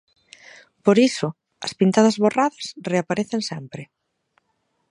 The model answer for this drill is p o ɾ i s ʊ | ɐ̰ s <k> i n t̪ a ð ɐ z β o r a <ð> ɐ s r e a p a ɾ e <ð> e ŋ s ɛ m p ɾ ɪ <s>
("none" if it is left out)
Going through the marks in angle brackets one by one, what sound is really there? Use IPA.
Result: p, ð, θ, none

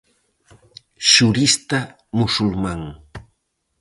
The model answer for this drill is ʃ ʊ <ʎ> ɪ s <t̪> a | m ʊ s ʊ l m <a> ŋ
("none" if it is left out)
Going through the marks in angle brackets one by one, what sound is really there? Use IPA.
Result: ɾ, t̪, a

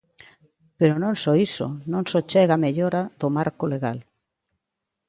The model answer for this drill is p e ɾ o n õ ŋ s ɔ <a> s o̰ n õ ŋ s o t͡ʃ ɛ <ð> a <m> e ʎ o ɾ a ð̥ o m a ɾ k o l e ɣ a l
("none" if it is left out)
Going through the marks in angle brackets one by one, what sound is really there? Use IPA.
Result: i, ɣ, m

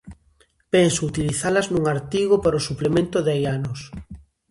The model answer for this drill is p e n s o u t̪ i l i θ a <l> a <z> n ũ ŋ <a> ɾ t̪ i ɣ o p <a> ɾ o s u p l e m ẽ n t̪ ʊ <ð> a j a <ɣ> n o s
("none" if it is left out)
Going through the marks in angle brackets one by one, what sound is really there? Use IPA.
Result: l, z, a, a, ð, none

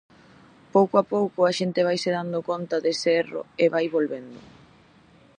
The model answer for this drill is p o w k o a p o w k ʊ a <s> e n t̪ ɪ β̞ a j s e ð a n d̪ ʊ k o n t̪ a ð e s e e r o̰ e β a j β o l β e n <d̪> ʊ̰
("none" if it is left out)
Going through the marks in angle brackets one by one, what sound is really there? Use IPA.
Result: ʃ, d̪

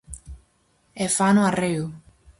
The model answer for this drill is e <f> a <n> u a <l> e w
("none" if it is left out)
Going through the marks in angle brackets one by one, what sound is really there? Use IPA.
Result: f, n, r

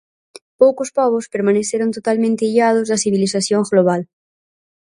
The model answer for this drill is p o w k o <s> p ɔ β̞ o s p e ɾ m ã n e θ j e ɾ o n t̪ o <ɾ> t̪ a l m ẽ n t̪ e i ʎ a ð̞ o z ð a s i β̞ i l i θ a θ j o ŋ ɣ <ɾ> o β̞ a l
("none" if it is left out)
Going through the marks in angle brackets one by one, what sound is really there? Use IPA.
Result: s, none, l

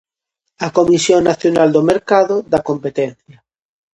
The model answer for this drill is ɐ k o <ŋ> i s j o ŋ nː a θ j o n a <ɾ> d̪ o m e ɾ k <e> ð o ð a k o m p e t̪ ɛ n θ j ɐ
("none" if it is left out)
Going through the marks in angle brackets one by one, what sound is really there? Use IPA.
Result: m, l, a

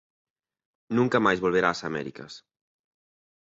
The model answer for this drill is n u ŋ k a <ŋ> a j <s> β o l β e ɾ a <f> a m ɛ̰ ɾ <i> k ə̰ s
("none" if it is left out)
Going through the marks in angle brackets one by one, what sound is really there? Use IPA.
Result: m, z, s, i

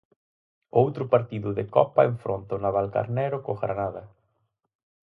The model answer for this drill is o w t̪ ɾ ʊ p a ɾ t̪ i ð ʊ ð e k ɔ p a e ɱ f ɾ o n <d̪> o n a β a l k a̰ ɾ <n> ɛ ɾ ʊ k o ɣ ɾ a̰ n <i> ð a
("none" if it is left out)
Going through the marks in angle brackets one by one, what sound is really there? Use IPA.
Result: t̪, n, a

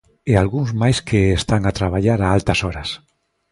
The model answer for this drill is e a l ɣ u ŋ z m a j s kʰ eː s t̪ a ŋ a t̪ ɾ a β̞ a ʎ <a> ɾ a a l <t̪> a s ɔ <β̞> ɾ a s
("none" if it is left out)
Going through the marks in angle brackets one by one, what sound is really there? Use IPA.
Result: a, t̪, none

